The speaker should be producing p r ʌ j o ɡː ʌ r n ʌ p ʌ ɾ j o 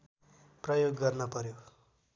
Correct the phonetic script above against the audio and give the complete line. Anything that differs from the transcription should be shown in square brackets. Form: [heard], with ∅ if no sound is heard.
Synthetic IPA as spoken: p r ʌ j o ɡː ʌ r n ʌ p ʌ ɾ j o